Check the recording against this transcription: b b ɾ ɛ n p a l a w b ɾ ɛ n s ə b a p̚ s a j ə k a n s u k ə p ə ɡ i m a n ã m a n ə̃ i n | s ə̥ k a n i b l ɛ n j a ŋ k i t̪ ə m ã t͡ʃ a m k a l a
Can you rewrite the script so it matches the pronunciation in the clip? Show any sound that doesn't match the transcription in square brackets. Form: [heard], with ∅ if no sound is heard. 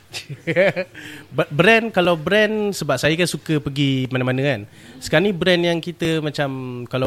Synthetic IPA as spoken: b b ɾ ɛ n [k] a l a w b ɾ ɛ n s ə b a p̚ s a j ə k a n s u k ə p ə ɡ i m a n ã m a n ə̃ [a] n | s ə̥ k a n i b [ɾ] ɛ n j a ŋ k i t̪ ə m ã t͡ʃ a m k a l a